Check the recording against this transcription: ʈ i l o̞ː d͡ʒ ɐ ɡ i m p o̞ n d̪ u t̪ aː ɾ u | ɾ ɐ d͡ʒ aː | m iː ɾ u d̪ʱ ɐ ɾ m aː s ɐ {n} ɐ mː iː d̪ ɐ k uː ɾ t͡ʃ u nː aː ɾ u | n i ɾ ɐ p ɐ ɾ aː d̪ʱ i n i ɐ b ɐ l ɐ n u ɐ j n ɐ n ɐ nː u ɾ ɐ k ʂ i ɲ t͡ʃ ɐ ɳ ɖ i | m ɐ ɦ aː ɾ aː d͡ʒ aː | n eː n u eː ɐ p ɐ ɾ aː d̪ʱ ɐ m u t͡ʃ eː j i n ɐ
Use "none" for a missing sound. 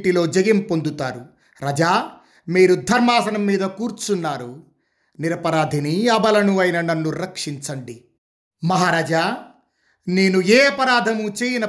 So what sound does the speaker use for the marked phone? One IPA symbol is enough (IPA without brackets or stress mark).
n